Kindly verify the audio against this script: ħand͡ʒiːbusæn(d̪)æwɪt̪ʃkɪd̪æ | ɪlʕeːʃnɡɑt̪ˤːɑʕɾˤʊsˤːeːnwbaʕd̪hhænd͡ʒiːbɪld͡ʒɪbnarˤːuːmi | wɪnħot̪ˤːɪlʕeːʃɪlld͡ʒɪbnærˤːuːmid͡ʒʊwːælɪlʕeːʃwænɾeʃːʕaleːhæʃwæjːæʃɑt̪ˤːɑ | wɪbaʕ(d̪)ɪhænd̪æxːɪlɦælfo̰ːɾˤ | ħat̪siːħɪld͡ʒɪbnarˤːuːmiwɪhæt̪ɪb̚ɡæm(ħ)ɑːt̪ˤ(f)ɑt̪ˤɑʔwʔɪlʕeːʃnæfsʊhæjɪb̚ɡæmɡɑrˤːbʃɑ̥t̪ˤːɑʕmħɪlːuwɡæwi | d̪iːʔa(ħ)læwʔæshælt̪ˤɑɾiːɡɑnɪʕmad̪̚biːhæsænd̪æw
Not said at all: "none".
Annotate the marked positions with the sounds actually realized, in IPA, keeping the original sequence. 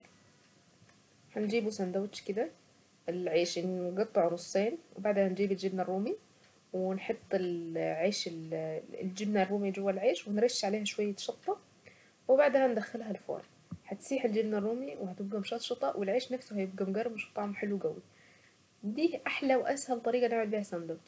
d̪, d̪, ʃ, ʃ, ħ

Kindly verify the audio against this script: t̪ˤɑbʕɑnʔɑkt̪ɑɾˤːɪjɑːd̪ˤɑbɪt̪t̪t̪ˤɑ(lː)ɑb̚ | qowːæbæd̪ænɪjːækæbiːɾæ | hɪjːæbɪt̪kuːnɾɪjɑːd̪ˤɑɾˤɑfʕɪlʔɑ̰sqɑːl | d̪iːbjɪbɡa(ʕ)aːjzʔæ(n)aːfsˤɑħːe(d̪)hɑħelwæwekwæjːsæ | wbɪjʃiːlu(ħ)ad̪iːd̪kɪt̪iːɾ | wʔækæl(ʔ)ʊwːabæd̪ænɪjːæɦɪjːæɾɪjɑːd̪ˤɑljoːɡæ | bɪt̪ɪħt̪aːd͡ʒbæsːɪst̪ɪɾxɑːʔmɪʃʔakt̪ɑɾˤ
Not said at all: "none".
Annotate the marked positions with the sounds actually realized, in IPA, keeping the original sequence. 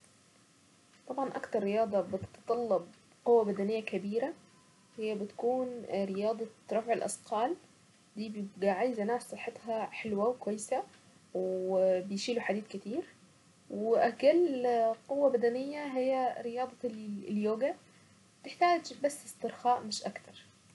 lː, ʕ, n, t̪, ħ, q

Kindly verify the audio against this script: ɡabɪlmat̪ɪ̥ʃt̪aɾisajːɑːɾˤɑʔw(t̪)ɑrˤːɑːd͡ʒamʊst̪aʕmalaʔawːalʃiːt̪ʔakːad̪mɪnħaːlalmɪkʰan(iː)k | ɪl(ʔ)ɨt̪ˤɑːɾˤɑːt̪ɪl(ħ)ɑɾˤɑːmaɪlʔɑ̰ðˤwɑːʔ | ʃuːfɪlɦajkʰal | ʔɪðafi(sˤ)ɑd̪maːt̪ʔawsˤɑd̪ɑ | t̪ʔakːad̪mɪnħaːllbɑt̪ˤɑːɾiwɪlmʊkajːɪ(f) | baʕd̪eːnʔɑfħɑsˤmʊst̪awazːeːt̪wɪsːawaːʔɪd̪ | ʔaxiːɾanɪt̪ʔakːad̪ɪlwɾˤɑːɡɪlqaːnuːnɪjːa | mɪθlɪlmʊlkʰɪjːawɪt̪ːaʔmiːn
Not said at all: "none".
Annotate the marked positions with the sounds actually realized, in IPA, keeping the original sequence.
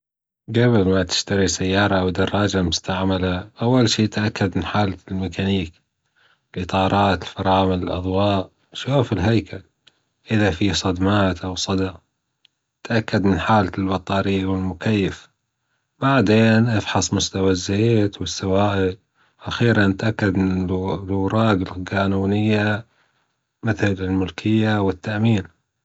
d̪, iː, ʔ, f, sˤ, f

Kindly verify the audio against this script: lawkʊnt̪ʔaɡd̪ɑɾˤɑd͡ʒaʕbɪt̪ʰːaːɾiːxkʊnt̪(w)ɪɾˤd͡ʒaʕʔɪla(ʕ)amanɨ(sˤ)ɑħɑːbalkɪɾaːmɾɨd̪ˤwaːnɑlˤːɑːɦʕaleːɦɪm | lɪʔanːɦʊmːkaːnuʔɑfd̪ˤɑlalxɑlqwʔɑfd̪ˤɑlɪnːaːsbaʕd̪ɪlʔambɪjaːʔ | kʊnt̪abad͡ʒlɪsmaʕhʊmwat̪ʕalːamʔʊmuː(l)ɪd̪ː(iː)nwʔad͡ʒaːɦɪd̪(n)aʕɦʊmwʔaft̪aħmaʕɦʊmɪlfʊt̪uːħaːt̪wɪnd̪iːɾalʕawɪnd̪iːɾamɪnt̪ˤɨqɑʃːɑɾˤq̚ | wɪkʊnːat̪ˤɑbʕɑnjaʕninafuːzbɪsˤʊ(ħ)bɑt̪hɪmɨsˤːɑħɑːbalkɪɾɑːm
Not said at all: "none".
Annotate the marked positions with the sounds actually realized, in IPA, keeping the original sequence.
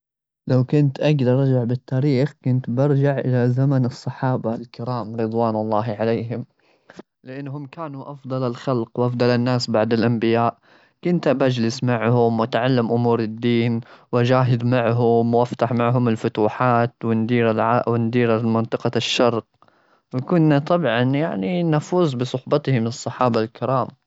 b, z, sˤː, ɾ, iː, m, ħ

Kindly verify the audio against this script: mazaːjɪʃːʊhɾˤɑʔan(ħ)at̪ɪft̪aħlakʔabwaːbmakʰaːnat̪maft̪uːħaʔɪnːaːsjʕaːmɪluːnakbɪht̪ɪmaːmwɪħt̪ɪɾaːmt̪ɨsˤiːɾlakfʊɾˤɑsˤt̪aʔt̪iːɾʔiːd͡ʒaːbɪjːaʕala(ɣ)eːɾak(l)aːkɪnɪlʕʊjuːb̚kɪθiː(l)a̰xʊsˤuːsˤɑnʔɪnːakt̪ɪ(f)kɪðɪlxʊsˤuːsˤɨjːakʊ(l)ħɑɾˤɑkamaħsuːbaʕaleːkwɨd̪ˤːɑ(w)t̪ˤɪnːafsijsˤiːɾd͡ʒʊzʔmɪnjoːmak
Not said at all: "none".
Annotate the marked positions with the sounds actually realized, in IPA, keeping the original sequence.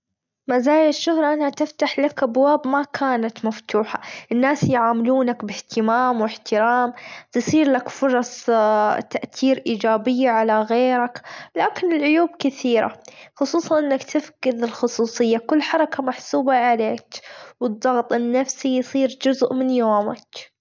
h, ɣ, l, ɾ, f, lː, ɣ

